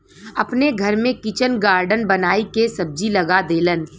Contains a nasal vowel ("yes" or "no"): yes